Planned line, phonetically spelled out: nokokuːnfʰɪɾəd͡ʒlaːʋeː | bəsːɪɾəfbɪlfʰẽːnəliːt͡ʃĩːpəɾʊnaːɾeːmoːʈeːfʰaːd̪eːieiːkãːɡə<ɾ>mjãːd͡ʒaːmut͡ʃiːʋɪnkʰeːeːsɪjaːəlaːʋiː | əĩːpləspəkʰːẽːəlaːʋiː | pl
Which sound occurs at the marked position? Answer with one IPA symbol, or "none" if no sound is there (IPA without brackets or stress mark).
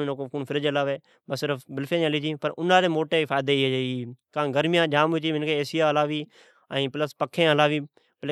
ɾ